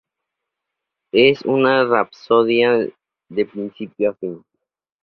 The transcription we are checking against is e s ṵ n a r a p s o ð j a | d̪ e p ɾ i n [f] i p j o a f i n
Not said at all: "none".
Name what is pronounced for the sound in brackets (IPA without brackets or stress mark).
s